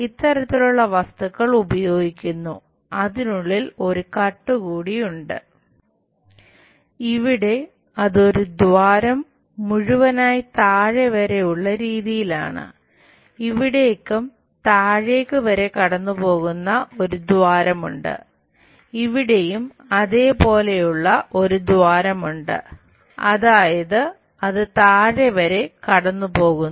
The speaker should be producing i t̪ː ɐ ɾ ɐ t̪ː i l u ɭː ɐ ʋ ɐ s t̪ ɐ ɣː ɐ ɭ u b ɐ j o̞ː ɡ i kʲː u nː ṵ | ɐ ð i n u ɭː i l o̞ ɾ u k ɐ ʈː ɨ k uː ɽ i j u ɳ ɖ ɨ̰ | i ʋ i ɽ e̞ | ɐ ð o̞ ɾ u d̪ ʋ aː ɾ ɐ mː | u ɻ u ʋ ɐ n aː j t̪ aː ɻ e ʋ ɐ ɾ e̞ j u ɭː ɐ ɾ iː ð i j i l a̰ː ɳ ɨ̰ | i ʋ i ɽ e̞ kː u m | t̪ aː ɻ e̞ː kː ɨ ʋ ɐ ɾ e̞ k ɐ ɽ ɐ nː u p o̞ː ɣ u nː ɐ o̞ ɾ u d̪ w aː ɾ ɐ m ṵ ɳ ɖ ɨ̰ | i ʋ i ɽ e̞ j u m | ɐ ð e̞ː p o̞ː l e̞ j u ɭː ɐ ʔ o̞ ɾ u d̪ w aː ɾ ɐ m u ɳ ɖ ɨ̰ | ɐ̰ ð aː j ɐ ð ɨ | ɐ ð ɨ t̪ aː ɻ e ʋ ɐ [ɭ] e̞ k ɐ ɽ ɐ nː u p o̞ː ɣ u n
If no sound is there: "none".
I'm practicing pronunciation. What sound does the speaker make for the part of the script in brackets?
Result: ɾ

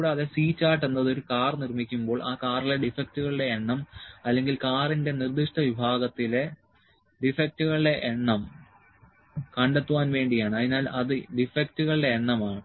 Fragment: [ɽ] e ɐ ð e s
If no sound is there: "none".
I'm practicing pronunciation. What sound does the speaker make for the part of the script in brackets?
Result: ɽ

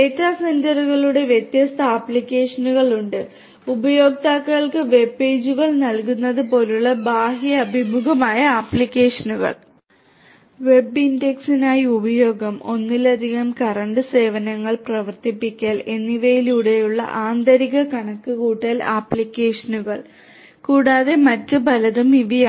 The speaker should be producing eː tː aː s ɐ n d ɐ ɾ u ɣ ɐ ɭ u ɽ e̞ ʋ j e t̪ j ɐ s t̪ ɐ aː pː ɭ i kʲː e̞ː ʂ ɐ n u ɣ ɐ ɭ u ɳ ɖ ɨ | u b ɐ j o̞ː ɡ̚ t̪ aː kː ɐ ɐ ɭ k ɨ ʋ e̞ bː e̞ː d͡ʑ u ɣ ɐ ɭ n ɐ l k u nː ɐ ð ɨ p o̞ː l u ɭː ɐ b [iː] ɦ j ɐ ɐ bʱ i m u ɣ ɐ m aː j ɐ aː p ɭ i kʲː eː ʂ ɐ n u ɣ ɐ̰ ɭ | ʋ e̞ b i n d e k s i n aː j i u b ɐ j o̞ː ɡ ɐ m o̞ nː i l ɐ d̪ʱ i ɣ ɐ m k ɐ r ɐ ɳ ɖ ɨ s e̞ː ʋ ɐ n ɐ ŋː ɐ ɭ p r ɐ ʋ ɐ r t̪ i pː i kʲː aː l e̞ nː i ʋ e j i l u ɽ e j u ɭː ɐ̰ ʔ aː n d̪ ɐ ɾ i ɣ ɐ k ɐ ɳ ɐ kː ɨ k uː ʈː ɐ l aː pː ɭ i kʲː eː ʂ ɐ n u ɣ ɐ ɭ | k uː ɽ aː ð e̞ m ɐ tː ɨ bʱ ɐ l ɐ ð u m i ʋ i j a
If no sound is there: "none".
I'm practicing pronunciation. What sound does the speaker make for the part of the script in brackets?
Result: aː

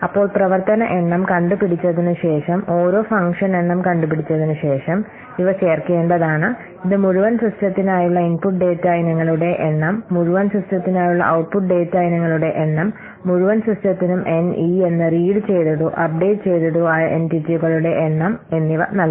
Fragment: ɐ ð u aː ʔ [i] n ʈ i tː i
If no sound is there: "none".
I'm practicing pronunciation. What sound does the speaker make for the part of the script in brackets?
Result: e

